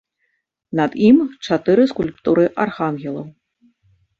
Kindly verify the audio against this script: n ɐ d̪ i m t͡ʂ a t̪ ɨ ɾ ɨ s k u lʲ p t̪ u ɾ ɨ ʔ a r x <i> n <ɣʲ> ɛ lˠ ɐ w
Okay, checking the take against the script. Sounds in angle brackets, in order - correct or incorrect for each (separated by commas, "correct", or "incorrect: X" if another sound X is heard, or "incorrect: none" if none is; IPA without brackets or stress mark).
incorrect: a, correct